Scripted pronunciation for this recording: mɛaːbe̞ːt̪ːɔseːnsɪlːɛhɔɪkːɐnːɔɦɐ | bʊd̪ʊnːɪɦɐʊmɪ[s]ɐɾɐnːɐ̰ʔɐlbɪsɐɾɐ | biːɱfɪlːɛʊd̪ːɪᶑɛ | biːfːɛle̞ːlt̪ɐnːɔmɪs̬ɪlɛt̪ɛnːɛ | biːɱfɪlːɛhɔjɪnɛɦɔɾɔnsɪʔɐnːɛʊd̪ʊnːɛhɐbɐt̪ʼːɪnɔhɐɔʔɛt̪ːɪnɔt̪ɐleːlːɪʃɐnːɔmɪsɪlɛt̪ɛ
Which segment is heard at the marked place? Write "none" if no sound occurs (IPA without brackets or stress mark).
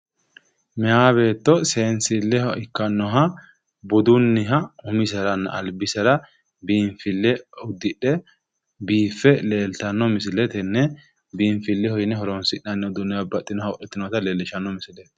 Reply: s